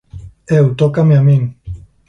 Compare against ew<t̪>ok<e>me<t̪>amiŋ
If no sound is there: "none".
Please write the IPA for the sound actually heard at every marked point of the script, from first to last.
t̪, a, none

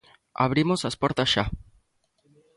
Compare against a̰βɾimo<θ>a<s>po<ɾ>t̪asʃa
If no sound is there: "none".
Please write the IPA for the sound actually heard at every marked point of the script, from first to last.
s, s, ɾ

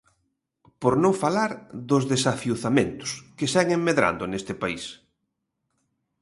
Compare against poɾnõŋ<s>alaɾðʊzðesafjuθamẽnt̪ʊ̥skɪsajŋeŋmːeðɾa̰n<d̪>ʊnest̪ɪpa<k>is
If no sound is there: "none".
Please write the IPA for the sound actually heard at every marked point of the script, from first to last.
f, d̪, none

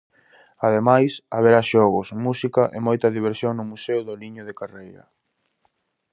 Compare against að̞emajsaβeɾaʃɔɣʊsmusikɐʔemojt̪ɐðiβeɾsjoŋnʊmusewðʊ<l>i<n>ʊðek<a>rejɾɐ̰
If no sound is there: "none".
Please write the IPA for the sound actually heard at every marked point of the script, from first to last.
l, ɲ, a

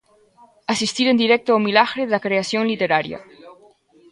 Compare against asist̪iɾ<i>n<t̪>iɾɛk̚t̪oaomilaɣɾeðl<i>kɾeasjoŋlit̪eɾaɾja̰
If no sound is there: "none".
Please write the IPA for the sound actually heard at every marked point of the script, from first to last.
e, d̪, a

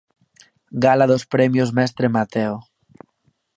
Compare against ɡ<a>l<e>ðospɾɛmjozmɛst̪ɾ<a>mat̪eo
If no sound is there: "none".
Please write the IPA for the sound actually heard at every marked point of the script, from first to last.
a, a, e

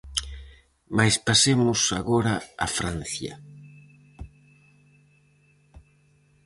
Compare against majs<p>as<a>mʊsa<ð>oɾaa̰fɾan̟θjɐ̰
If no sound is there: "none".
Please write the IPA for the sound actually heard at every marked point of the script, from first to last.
p, e, ɣ

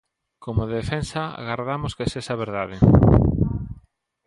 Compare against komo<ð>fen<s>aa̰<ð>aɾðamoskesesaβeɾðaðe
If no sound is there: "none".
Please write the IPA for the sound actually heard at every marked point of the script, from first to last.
ð, s, ɣ

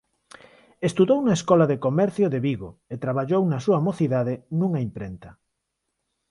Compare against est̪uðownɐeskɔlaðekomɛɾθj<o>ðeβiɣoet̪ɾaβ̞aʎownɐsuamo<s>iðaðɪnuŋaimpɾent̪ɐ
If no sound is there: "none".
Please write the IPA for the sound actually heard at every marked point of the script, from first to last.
o, θ

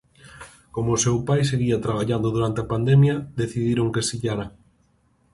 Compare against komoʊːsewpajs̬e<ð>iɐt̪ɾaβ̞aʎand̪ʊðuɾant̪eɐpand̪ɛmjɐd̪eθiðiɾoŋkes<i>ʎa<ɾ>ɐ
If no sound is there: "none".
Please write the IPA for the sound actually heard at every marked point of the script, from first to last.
ɣ, i, ɾ

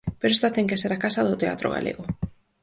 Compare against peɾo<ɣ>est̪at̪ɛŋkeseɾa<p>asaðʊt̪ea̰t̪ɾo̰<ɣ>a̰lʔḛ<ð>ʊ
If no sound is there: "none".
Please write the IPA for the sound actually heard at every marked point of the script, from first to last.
none, k, ɣ, ɣ

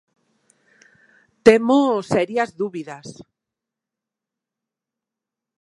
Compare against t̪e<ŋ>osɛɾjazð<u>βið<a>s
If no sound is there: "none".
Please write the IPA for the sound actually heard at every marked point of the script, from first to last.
m, u, a

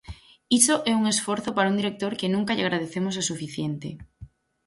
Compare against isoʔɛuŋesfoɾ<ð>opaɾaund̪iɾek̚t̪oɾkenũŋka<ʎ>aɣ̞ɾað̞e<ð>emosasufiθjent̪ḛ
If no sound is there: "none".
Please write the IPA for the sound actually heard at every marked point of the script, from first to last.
θ, ʎ, θ

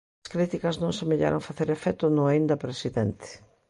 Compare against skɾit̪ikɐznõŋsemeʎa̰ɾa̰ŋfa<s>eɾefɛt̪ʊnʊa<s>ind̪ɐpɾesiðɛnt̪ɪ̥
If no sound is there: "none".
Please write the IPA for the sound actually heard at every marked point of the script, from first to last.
θ, none

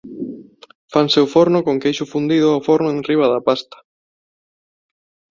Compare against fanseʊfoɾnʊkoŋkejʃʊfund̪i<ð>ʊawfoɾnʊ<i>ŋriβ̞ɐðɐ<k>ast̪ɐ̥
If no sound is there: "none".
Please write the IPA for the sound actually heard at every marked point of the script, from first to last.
ð, e, p

